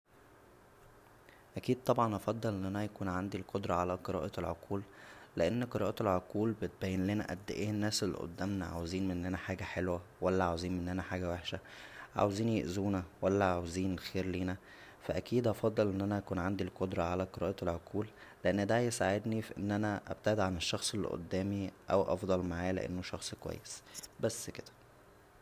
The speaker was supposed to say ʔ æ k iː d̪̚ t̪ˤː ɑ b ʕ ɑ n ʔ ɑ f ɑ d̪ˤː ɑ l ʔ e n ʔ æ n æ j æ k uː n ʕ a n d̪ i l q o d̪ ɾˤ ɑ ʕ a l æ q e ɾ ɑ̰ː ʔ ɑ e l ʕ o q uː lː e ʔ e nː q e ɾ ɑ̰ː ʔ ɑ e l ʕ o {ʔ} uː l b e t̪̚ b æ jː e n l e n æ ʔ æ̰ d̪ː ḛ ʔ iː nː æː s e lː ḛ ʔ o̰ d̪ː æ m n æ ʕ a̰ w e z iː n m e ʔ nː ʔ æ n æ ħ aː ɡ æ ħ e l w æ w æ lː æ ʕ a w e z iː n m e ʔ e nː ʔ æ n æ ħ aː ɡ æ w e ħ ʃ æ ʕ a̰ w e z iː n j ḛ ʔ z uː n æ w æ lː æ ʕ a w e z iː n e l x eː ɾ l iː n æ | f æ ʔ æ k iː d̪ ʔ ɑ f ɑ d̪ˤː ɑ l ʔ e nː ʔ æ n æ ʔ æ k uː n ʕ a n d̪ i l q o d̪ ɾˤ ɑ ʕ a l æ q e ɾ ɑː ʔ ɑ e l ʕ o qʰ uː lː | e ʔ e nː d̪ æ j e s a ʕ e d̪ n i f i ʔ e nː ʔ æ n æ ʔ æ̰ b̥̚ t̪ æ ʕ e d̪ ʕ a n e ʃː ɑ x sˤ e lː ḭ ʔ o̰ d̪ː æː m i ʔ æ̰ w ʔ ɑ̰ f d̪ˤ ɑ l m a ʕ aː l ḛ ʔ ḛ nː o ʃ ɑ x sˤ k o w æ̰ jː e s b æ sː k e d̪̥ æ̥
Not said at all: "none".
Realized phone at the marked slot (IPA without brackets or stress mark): q